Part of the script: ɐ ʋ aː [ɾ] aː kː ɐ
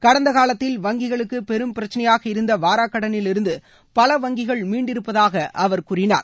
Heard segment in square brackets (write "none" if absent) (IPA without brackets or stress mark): ɾ